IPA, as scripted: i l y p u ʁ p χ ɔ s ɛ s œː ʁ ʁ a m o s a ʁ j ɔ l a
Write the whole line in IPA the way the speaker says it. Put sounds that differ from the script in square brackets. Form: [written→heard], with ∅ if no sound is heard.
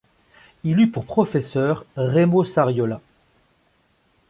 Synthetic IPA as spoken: i l y p u ʁ p χ ɔ [s→f] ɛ s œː ʁ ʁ [a→e] m o s a ʁ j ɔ l a